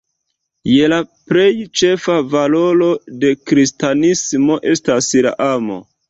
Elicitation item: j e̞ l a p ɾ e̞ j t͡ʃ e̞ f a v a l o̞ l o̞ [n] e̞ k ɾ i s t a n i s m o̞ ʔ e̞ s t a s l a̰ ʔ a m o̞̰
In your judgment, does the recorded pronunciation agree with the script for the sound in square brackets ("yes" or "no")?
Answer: no